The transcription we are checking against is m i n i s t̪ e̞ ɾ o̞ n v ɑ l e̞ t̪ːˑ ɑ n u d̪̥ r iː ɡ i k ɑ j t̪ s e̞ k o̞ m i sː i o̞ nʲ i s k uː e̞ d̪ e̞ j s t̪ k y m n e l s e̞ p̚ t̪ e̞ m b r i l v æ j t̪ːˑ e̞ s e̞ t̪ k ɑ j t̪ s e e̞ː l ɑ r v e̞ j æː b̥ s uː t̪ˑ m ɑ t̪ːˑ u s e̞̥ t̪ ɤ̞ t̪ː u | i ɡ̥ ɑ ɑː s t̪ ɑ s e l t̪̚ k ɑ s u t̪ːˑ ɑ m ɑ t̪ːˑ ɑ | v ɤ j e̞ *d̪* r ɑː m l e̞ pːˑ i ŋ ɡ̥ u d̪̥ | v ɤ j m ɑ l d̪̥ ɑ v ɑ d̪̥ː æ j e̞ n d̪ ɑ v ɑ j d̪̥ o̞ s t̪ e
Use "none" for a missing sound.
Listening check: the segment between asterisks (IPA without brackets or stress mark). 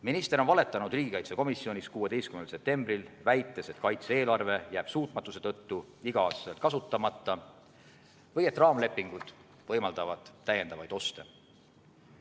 t̪